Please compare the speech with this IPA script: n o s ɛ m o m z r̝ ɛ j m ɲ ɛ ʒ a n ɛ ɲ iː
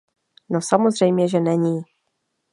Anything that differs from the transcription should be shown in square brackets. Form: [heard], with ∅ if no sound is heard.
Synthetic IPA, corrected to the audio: n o s [a] m o [∅] z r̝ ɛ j m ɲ ɛ ʒ [ɛ] n ɛ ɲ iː